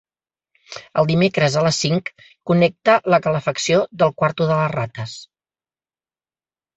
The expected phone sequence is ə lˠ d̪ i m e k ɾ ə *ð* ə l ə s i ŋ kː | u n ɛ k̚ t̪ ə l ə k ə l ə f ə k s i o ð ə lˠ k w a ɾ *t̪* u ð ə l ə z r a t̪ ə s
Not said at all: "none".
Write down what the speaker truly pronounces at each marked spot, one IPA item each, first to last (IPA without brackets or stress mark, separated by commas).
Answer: z, t̪